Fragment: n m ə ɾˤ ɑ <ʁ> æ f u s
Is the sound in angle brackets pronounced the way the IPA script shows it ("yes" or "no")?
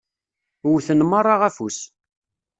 yes